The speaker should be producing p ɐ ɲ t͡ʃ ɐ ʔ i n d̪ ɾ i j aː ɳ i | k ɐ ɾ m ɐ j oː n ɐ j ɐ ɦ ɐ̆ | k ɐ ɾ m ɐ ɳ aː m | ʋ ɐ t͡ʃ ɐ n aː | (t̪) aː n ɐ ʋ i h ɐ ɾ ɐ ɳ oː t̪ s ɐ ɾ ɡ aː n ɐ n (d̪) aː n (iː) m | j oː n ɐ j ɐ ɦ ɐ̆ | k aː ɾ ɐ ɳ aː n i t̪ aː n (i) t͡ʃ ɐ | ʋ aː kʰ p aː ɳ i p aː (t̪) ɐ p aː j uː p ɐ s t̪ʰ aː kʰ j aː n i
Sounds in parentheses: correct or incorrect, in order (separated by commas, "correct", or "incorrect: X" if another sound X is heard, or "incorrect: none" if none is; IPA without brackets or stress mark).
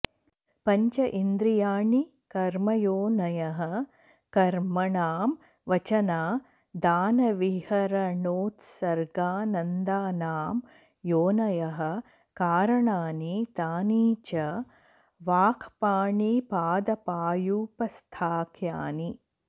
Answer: incorrect: d̪, correct, incorrect: aː, incorrect: iː, incorrect: d̪